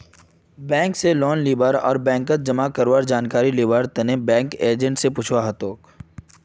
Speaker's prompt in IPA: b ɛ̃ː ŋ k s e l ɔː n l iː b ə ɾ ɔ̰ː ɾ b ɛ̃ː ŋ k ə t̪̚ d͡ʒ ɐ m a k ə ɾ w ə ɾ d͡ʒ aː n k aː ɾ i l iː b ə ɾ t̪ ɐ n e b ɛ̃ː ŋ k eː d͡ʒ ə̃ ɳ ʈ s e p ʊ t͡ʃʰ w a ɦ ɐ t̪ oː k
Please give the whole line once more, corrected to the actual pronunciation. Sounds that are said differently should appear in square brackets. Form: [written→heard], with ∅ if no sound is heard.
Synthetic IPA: b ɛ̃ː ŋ k s e l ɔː n l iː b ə ɾ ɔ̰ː ɾ b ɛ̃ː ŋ k ə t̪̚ d͡ʒ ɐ m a k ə ɾ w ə ɾ d͡ʒ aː n k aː ɾ i l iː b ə ɾ t̪ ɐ n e b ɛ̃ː ŋ k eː d͡ʒ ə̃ ɳ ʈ s e p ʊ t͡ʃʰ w a ɦ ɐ t̪ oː k